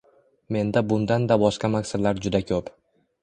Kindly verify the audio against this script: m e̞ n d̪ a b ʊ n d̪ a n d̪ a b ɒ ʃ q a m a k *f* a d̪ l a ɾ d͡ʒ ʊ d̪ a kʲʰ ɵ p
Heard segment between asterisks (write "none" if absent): s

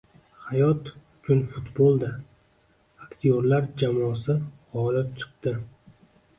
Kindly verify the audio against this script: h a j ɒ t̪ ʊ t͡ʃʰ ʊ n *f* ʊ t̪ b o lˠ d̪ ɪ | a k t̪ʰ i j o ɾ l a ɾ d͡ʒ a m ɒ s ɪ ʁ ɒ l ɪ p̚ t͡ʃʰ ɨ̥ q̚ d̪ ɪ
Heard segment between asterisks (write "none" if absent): f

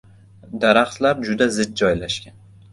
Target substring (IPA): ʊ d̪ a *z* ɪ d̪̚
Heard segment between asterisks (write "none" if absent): z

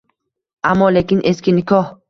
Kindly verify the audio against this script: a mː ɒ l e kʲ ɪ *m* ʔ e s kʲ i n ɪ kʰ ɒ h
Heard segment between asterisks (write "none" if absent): n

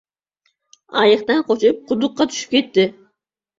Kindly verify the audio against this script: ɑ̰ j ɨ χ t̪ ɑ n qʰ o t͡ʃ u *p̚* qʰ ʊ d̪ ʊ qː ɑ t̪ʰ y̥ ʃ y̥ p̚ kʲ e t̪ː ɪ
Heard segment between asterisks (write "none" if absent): p̚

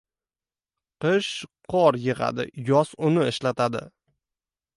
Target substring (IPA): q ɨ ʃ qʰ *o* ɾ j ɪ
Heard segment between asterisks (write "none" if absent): ɒ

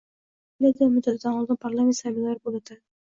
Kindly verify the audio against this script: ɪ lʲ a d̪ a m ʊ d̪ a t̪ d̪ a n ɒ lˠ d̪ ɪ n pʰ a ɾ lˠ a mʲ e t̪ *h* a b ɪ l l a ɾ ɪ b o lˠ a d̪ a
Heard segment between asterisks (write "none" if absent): s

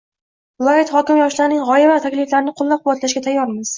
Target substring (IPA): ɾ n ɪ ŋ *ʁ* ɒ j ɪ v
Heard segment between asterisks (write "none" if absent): ʁ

